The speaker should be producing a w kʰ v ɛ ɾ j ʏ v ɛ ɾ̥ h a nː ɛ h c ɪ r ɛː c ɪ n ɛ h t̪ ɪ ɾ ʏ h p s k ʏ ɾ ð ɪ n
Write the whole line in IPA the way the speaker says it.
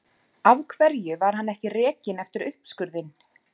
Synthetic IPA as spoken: a v kʰ v ɛ ɾ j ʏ v a ɾ̥ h a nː ɛ h c ɪ r ɛː c ɪ n ɛ f t̪ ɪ ɾ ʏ h p s k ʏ ɾ ð ɪ n